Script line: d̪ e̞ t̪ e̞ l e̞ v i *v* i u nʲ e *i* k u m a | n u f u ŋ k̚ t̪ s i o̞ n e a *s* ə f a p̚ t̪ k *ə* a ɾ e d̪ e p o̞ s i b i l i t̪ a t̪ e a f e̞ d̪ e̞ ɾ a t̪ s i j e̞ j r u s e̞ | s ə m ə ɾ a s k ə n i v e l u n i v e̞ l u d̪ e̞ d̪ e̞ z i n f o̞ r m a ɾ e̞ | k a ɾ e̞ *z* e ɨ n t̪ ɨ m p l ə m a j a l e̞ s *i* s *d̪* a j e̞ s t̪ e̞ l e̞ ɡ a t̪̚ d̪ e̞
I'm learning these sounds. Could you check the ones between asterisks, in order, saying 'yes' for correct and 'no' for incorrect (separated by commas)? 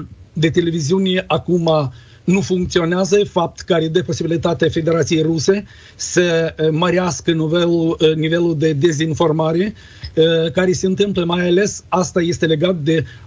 no, no, no, yes, no, no, no